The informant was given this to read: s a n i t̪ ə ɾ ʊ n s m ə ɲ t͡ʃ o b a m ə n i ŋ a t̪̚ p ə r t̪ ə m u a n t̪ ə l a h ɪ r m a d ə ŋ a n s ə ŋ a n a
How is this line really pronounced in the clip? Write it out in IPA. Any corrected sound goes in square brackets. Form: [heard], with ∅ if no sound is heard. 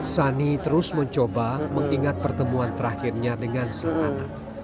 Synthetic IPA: s a n i t̪ ə ɾ ʊ [∅] s m ə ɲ t͡ʃ o b a m ə [ŋ] i ŋ a t̪̚ p ə r t̪ ə m u a n t̪ ə [ɾ] a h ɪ r [ɲ] a d ə ŋ a n s ə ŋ a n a